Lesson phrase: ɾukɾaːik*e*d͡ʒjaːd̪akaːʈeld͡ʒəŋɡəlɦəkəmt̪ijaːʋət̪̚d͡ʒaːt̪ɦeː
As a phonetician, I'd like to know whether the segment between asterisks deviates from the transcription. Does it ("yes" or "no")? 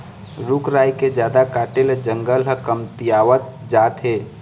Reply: no